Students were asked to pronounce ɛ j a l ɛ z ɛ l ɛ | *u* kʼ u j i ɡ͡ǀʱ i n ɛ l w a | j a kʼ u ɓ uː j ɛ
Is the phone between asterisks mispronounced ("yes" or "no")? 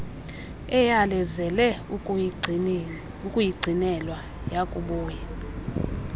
no